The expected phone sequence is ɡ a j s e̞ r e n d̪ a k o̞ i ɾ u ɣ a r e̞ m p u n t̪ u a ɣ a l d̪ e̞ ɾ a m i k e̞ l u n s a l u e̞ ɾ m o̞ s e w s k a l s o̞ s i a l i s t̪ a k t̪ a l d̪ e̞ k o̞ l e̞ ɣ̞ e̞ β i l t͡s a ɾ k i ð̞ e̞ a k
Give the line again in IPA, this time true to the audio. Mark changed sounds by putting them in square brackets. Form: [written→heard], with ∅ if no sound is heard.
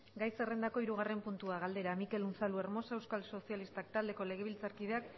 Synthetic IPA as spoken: ɡ a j s e̞ r e n d̪ a k o̞ i ɾ u ɣ a r e̞ m p u n t̪ u a ɣ a l d̪ e̞ ɾ a m i k e̞ l u n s a l u e̞ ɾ m o̞ s e w s k a l s o̞ s i a l i s t̪ a k t̪ a l d̪ e̞ k o̞ l e̞ ɣ̞ e̞ β i l t͡s a ɾ k i ð̞ e̞ a k